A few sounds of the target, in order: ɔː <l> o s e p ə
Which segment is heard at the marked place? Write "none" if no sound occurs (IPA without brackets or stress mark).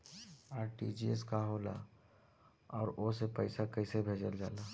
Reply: ɾ